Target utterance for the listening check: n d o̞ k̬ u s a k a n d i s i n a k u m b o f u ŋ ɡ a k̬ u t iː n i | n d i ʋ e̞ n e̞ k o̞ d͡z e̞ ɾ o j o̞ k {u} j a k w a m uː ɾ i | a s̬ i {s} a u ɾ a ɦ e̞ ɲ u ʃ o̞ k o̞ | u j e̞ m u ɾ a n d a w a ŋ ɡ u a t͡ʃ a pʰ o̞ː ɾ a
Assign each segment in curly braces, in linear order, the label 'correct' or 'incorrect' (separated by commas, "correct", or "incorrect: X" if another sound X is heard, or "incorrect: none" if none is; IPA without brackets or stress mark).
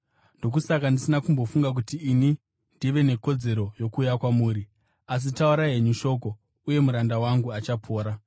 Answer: incorrect: uː, incorrect: t